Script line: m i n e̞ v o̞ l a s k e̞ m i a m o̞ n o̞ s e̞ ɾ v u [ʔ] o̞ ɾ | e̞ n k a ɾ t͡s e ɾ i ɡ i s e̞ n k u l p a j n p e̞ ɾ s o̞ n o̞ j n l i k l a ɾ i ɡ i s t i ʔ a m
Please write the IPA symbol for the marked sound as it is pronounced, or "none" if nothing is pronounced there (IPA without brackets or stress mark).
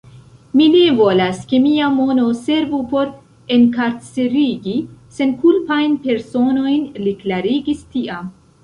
p